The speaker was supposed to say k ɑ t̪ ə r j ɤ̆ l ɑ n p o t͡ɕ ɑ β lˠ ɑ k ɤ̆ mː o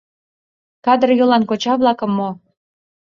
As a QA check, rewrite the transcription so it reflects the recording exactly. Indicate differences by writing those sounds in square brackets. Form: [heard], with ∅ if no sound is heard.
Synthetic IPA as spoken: k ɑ [d̪] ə r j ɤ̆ l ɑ n [k] o t͡ɕ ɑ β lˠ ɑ k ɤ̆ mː o